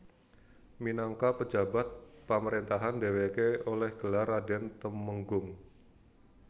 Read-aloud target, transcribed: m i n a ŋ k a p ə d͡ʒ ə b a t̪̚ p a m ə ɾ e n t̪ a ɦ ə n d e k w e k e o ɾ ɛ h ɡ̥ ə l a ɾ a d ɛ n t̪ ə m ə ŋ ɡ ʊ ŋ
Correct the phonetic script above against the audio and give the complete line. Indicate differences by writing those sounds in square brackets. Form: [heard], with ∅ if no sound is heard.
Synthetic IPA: m i n a ŋ k a p ə d͡ʒ [a] b a t̪̚ p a m ə ɾ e n t̪ a ɦ [a] n d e [∅] w e k e o [l] ɛ h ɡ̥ ə l a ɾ a d ɛ n t̪ ə m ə ŋ ɡ ʊ ŋ